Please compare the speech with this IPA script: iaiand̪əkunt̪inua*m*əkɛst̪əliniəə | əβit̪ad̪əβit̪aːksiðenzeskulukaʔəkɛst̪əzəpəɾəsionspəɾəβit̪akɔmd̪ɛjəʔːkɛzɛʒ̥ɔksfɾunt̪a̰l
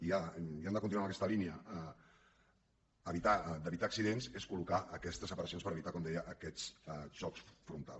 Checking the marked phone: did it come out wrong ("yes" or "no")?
no